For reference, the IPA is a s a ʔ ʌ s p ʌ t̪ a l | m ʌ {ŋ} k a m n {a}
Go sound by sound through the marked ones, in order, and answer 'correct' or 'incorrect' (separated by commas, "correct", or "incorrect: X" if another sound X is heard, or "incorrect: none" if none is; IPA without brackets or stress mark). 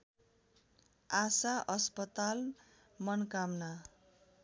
incorrect: n, correct